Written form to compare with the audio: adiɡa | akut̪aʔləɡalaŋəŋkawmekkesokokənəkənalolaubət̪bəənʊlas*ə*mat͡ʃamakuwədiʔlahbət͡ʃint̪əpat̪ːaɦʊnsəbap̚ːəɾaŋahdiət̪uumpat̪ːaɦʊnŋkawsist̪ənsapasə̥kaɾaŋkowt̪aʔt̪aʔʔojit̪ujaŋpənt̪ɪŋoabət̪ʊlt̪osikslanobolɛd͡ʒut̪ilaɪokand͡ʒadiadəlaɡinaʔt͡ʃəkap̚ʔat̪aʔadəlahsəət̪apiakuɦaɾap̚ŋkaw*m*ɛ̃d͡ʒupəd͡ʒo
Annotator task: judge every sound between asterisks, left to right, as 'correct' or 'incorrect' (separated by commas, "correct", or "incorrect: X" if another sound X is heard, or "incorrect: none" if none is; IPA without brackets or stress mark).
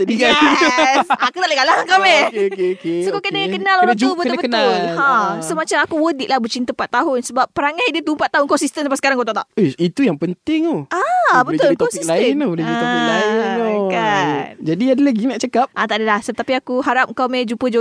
correct, correct